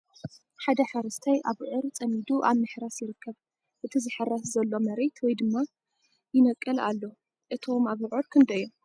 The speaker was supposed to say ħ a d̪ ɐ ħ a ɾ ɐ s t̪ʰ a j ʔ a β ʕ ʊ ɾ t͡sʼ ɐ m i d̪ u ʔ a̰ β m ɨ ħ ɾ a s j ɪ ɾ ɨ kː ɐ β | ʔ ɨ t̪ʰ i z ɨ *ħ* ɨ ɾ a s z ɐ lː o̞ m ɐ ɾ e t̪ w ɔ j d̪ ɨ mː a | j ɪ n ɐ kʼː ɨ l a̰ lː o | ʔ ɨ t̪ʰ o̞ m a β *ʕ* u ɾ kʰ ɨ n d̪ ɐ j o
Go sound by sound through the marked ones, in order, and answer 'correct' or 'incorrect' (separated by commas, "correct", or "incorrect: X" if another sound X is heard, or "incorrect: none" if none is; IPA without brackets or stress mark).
correct, correct